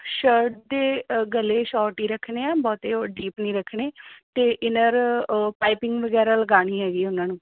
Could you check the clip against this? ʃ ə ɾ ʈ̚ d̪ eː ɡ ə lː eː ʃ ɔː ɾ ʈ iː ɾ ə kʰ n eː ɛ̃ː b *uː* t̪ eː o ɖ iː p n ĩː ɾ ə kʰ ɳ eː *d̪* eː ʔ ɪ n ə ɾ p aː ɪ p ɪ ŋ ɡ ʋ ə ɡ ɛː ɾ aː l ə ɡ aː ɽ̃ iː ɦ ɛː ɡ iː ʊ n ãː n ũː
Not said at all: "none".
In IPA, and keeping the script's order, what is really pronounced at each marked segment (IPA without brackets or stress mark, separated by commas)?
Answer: ɔː, t̪